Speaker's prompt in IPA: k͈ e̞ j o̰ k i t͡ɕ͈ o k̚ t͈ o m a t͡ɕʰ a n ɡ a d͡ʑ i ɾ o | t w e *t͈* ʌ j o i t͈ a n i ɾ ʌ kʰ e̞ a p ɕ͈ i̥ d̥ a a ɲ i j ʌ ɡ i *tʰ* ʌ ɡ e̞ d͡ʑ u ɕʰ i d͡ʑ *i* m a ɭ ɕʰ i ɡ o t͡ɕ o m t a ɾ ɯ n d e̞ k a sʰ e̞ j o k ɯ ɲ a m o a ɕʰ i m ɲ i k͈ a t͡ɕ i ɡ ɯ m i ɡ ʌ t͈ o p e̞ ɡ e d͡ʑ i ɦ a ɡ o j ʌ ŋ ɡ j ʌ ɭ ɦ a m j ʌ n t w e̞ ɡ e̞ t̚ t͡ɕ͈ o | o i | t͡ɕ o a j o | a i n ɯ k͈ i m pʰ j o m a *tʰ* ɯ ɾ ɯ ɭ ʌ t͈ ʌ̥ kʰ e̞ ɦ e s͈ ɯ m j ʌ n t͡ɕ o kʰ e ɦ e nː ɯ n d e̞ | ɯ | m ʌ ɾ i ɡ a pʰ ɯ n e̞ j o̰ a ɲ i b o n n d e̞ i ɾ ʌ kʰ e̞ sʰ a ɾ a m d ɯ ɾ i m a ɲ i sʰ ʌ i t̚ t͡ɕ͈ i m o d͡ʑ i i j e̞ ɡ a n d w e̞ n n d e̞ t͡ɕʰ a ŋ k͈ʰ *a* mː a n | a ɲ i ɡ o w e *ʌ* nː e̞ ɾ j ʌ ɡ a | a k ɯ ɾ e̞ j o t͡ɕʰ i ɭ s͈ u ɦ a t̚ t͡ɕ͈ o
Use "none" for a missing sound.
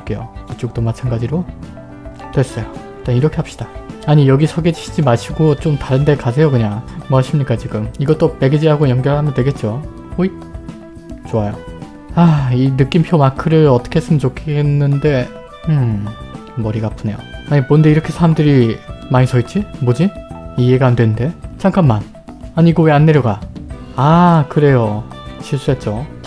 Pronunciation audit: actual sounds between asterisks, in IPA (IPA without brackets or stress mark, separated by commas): s͈, sʰ, i, kʰ, a, a